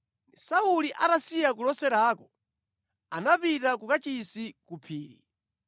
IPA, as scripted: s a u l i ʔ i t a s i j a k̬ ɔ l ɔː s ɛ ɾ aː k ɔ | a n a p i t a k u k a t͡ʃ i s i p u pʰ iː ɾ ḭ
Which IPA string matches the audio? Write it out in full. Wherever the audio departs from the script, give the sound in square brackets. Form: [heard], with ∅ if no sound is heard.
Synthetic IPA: s a u l i ʔ [a] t a s i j a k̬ [u] l [ɔ] s ɛ ɾ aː k ɔ | a n a p i t a k u k a t͡ʃ i s i [k] u pʰ iː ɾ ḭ